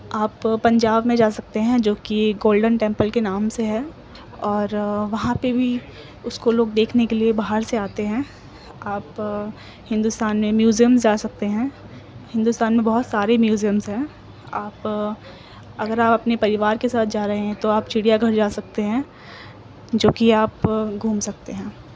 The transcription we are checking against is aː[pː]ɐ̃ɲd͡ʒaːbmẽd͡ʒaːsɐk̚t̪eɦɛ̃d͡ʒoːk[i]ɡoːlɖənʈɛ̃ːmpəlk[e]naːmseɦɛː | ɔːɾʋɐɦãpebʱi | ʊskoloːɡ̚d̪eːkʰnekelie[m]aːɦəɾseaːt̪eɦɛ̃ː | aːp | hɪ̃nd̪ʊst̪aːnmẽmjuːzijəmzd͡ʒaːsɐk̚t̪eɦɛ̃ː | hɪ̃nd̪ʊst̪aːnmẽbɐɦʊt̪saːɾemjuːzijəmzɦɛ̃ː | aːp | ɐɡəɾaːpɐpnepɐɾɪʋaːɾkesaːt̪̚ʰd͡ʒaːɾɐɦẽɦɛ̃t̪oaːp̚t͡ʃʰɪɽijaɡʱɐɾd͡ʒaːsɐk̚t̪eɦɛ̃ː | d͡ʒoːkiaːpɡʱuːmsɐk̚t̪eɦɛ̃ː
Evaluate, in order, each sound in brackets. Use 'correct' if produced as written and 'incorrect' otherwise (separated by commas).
correct, correct, correct, incorrect